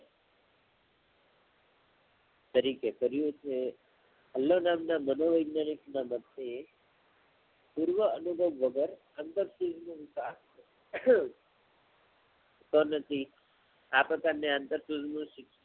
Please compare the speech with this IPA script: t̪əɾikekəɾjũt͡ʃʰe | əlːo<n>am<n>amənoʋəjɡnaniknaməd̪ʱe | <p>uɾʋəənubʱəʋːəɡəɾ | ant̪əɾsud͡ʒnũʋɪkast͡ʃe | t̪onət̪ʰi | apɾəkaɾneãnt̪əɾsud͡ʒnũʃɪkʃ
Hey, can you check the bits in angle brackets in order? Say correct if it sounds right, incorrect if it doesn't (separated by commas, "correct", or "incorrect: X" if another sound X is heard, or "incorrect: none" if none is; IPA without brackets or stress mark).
correct, correct, correct